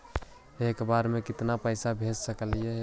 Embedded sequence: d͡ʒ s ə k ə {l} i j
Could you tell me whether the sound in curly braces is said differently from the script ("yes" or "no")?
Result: no